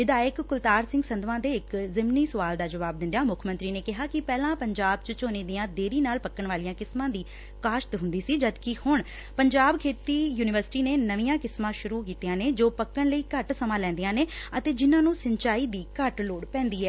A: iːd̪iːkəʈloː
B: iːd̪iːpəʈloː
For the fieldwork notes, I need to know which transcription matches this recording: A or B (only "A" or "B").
A